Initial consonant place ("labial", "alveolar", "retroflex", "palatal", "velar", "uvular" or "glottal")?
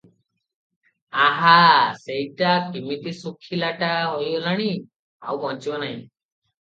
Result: glottal